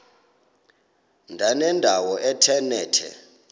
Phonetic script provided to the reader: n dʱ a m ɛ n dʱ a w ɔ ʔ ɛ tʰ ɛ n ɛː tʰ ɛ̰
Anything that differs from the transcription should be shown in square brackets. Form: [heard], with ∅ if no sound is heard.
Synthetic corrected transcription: n dʱ a [n] ɛ n dʱ a w ɔ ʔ ɛ tʰ ɛ n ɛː tʰ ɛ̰